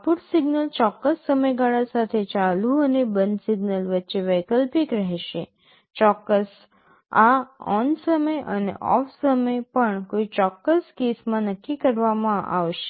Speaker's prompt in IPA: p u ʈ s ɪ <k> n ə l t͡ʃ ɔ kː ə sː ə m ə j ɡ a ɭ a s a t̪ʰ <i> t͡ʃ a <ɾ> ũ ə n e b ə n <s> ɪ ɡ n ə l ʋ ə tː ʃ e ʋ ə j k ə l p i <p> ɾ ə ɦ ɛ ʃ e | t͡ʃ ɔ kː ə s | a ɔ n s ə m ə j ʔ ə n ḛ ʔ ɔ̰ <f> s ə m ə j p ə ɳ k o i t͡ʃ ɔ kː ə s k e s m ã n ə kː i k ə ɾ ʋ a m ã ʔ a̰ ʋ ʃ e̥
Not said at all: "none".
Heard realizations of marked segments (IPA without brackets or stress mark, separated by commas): ɡ, e, l, s, k, f